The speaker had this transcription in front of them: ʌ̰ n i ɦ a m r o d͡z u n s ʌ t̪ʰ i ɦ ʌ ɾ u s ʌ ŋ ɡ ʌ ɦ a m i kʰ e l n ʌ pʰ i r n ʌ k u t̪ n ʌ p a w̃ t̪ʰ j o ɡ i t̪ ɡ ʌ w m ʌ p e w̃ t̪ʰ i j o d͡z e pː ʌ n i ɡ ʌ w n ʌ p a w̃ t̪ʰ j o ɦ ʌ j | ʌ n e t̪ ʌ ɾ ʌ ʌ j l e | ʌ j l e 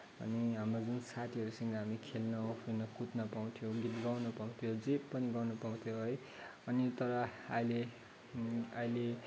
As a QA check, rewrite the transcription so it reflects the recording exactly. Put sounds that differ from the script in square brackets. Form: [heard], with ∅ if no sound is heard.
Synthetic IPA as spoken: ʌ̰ n i ɦ a m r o d͡z u n s [a] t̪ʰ i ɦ ʌ ɾ u s ʌ ŋ ɡ ʌ ɦ a m i kʰ e l n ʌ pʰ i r n ʌ k u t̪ n ʌ p a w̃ t̪ʰ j o ɡ i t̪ ɡ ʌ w [n] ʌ p [a] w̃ t̪ʰ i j o d͡z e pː ʌ n i ɡ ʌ w n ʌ p a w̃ t̪ʰ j o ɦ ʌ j | ʌ n [i] t̪ ʌ ɾ ʌ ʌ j l e | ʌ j l e

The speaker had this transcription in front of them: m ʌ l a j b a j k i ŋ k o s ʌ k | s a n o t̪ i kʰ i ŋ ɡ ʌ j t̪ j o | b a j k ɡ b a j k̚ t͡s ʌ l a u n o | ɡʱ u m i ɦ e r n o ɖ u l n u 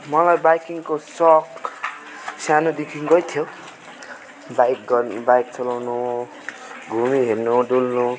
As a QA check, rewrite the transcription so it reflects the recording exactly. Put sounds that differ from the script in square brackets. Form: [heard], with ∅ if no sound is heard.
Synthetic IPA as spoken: m ʌ l a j b a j k i ŋ k o s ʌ k | s a n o [d̪] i kʰ i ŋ ɡ ʌ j [t̪ʰ] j o | b a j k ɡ b a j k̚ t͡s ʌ l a [w] n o | ɡʱ u m i ɦ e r n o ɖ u l n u

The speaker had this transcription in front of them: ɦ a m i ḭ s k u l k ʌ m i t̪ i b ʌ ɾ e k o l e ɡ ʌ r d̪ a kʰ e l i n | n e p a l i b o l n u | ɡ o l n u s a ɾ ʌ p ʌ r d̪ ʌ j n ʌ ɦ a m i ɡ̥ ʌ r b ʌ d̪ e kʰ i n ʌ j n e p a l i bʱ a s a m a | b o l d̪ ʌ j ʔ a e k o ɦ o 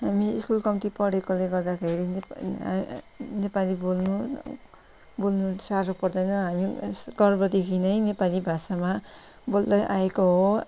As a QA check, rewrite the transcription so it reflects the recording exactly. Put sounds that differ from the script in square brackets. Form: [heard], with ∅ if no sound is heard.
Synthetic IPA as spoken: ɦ a m i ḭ s k u l k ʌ m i t̪ i [p] ʌ [ɽ] e k o l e ɡ ʌ r d̪ a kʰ e [ɾ] i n | n e p a l i b o l n u | [b] o l n u s a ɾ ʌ p ʌ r d̪ ʌ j n ʌ ɦ a m i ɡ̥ ʌ r b ʌ d̪ e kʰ i n ʌ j n e p a l i bʱ a s a m a | b o l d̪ ʌ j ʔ a e k o ɦ o

